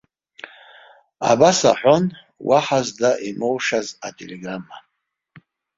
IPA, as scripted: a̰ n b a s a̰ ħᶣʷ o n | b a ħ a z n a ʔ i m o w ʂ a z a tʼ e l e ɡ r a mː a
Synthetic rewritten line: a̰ b a s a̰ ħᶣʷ o n | w a ħ a z d a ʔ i m o w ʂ a z a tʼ e l e ɡ r a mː a